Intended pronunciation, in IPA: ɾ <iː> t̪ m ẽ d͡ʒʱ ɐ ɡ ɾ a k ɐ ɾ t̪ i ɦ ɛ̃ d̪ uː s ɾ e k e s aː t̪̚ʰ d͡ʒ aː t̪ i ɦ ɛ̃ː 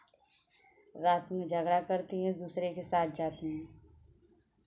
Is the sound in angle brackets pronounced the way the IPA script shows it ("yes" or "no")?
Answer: no